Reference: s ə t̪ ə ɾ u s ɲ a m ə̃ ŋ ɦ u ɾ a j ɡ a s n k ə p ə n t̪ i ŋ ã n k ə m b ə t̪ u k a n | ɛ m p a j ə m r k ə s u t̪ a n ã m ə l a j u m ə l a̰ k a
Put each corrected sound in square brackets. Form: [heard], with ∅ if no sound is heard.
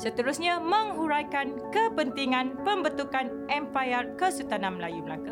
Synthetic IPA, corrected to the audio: s ə t̪ ə ɾ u s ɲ a m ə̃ ŋ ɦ u ɾ a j [k] a [∅] n k ə p ə n t̪ i ŋ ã n [p] ə m b ə t̪ u k a n | ɛ m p a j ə [∅] r k ə s u t̪ a n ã m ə l a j u m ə l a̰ k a